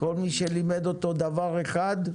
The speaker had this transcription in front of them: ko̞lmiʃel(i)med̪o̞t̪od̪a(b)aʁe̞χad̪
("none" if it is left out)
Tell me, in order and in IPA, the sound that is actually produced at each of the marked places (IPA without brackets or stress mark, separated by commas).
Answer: i, v